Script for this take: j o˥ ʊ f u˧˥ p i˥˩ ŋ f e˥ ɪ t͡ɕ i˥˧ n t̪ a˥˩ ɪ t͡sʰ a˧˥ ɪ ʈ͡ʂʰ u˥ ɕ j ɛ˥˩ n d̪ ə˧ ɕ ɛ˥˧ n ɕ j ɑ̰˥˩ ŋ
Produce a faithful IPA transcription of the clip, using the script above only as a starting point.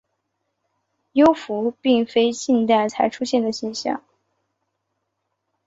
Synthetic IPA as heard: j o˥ ʊ f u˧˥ p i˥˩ ŋ f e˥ ɪ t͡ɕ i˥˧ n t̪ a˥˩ ɪ t͡sʰ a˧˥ ɪ ʈ͡ʂʰ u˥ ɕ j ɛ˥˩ n d̪ ə˩ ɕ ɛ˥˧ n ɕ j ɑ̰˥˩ ŋ